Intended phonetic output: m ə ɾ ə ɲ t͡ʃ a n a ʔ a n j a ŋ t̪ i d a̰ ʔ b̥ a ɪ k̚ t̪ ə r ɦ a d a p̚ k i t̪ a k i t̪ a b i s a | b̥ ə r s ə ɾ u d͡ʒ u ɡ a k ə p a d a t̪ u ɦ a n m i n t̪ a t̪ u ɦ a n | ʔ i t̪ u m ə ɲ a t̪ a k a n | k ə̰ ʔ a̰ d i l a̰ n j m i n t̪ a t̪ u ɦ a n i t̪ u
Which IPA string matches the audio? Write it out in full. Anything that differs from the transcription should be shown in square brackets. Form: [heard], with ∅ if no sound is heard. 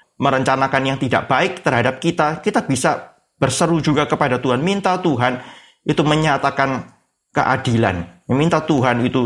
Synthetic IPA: m ə ɾ ə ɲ t͡ʃ a n a [k] a n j a ŋ t̪ i d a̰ ʔ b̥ a ɪ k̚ t̪ ə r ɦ a d a p̚ k i t̪ a k i t̪ a b i s a | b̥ ə r s ə ɾ u d͡ʒ u ɡ a k ə p a d a t̪ u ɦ a n m i n t̪ a t̪ u ɦ a n | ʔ i t̪ u m ə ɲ a t̪ a k a n | k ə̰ ʔ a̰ d i l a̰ n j m i n t̪ a t̪ u ɦ a n i t̪ u